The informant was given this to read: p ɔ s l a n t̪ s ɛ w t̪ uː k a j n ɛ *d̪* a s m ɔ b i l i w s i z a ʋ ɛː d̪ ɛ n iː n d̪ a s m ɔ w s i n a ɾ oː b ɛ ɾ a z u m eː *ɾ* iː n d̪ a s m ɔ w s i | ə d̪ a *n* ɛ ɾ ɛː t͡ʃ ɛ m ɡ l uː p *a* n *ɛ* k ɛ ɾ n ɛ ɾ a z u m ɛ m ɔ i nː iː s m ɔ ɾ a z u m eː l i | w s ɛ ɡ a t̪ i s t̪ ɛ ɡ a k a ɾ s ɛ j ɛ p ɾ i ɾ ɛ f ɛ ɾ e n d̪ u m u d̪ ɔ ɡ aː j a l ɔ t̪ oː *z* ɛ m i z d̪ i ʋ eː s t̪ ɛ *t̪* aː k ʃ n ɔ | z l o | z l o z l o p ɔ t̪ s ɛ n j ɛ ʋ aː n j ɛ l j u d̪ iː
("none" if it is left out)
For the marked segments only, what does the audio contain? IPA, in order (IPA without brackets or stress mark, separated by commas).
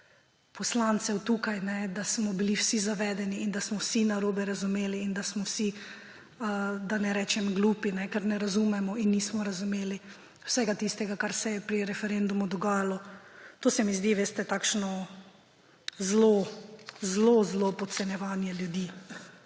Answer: d̪, l, n, i, ɛ, s, t̪